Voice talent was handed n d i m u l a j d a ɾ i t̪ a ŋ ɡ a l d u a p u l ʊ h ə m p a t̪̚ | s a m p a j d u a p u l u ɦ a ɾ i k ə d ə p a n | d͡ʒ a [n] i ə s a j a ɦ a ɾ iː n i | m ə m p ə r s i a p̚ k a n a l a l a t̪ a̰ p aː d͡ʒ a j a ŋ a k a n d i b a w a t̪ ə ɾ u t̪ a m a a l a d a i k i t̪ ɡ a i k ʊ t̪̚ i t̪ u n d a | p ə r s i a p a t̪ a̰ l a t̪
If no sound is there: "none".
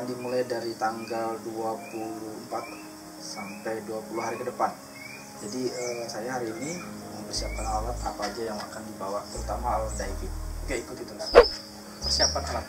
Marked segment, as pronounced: d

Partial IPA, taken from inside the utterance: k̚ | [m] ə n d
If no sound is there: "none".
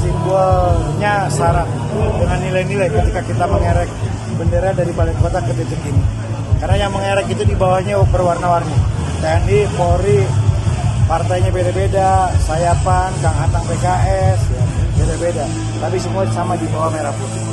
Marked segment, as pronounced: b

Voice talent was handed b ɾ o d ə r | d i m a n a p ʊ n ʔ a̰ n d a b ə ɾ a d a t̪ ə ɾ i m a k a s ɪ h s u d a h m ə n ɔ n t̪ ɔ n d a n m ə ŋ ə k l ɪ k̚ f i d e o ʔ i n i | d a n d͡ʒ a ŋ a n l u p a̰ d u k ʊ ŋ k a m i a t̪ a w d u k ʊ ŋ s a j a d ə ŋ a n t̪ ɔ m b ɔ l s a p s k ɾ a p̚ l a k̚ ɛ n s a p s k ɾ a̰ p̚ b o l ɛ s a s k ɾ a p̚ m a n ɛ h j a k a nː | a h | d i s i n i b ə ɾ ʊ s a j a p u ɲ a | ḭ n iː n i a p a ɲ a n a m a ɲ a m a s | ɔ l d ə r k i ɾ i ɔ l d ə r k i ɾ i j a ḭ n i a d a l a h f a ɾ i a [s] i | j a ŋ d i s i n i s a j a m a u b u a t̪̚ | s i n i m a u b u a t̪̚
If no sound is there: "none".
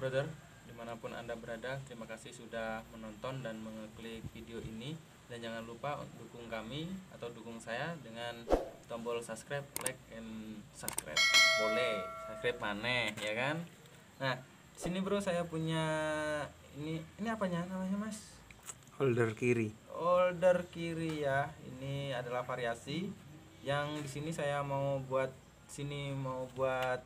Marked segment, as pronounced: s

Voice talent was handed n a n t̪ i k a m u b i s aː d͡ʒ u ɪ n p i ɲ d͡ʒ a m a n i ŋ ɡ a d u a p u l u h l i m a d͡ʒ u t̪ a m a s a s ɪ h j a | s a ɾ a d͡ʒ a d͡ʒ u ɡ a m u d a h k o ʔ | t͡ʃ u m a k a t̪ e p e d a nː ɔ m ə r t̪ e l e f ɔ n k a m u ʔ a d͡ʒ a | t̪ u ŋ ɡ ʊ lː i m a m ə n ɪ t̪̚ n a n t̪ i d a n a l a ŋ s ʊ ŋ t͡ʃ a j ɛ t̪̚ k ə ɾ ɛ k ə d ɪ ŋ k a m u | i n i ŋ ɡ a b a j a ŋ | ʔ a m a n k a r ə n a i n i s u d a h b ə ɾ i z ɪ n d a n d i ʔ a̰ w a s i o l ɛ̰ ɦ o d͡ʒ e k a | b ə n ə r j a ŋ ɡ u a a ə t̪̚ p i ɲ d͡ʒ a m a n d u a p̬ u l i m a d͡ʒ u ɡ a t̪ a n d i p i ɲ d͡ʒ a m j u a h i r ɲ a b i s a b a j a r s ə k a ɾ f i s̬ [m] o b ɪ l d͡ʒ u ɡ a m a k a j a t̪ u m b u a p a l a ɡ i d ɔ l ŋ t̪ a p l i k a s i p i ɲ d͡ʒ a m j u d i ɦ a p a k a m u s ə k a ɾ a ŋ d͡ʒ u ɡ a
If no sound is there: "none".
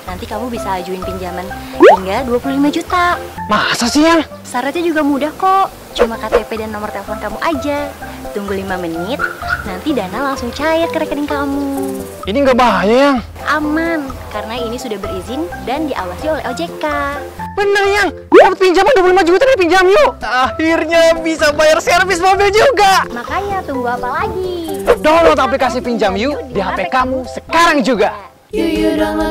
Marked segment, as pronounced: m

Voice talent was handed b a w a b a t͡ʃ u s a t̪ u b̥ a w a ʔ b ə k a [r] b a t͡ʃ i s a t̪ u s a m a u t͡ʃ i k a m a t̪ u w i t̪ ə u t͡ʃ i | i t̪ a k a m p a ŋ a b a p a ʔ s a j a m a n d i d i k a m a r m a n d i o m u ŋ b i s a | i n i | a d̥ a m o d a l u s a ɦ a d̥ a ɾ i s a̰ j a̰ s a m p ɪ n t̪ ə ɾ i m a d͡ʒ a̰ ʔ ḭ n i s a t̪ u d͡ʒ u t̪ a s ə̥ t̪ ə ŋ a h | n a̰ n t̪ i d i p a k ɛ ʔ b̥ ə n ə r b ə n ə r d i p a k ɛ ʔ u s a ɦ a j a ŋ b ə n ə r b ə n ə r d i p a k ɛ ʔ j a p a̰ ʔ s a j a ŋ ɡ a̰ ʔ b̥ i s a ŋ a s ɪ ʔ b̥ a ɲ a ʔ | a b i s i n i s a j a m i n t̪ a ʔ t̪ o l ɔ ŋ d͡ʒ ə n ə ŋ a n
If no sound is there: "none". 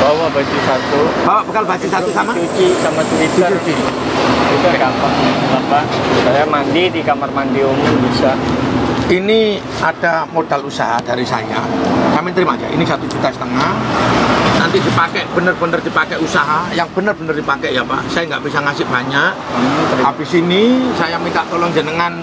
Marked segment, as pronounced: l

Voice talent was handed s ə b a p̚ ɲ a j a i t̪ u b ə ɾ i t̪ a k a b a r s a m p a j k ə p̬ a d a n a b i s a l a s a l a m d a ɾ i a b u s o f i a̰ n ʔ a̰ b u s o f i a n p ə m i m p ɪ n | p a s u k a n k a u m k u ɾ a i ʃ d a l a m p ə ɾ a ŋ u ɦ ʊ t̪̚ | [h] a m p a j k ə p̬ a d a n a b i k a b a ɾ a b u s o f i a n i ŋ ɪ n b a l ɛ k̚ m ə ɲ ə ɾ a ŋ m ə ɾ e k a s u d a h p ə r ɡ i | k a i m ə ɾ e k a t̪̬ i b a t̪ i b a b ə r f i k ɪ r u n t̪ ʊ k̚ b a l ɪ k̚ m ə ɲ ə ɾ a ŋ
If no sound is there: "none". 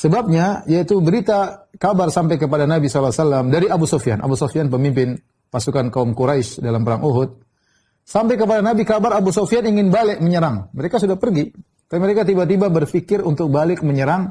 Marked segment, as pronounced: s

